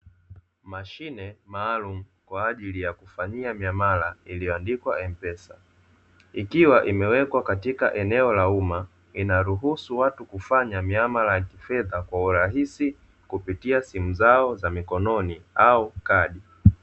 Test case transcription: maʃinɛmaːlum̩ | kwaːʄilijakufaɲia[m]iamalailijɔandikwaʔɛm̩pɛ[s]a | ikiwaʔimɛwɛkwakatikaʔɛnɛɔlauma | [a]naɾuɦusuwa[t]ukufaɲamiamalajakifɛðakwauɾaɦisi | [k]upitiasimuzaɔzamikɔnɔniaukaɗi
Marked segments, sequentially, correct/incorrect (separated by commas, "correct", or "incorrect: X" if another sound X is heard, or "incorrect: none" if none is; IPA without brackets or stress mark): correct, correct, incorrect: i, correct, correct